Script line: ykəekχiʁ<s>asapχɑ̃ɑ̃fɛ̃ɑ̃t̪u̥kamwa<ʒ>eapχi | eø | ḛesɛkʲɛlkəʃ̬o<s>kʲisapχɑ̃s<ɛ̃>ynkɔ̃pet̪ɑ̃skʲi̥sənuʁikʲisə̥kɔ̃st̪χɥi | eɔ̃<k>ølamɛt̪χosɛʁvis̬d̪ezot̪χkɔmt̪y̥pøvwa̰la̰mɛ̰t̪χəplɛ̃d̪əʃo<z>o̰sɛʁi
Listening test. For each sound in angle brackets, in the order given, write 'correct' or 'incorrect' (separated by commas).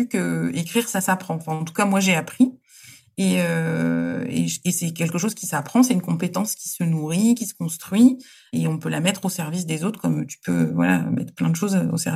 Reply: correct, correct, incorrect, incorrect, incorrect, correct